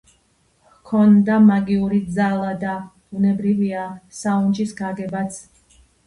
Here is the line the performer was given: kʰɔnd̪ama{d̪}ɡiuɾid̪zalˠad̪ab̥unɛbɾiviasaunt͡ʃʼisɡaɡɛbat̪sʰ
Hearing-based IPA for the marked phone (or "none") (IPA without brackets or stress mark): none